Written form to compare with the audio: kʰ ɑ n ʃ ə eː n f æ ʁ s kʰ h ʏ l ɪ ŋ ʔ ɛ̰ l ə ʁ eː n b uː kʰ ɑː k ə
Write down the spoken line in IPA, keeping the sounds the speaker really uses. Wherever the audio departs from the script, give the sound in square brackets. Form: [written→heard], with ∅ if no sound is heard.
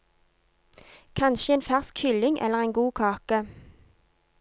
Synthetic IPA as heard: kʰ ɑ n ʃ ə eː n f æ ʁ s [kʰ→k] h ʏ l ɪ ŋ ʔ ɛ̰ l ə ʁ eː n [b→ɡ] uː kʰ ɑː k ə